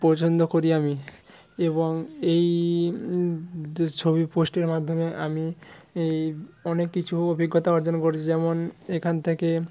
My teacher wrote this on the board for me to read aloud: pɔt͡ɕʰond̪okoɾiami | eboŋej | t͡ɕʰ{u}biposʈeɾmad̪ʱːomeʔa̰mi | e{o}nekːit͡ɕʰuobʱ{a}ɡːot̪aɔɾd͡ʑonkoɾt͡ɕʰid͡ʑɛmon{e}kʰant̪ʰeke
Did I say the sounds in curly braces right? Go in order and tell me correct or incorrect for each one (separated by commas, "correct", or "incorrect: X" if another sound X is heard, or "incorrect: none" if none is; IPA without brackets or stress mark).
incorrect: o, incorrect: ɔ, incorrect: i, correct